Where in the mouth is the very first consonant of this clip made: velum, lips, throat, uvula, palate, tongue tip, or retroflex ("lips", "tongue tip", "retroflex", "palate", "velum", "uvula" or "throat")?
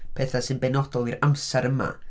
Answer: lips